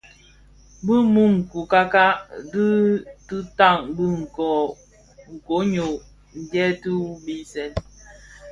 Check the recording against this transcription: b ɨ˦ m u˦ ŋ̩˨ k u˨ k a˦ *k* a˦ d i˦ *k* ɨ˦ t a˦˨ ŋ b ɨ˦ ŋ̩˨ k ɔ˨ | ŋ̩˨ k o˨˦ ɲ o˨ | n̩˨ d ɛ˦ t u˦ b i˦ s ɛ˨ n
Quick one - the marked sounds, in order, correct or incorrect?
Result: correct, incorrect

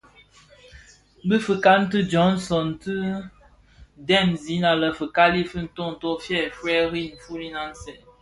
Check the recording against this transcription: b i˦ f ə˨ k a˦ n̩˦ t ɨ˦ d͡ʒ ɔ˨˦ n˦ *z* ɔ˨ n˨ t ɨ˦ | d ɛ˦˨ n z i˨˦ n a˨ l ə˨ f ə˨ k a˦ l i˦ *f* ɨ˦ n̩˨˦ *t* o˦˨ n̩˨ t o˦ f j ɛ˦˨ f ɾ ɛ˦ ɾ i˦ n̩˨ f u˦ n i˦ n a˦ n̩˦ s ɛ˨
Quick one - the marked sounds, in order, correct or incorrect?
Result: incorrect, correct, correct

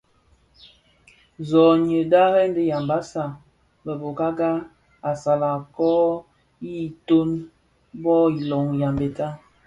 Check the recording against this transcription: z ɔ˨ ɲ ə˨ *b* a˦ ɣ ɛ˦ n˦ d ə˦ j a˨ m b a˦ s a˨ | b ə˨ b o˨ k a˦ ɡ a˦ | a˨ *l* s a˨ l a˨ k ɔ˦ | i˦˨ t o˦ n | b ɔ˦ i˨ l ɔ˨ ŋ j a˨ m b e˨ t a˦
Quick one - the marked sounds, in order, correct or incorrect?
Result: incorrect, incorrect

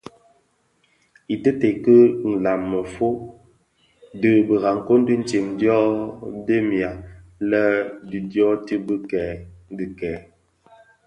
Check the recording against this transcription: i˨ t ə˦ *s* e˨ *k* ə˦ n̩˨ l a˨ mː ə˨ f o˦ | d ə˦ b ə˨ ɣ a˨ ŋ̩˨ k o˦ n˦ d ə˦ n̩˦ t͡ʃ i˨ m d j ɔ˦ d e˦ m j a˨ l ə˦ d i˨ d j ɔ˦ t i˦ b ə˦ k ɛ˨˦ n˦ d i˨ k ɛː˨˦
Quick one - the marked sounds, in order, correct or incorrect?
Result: incorrect, correct

